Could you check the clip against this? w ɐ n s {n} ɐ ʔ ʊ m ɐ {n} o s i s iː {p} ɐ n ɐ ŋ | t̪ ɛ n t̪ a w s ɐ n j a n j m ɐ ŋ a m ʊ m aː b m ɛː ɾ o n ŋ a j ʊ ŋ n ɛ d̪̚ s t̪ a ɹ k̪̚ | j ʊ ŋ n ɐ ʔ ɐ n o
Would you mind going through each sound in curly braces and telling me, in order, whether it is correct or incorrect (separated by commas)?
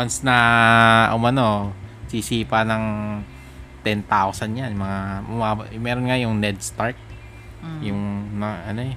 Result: correct, correct, correct